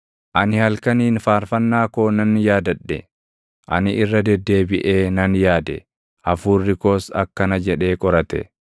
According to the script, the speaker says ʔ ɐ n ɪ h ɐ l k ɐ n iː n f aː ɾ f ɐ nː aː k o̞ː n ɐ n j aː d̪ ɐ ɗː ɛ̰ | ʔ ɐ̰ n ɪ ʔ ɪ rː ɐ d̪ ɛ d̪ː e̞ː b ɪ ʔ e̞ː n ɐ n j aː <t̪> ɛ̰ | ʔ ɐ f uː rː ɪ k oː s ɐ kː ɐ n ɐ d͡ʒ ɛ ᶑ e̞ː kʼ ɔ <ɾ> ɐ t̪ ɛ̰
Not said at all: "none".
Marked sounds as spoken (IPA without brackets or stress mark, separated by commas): d̪, ɾ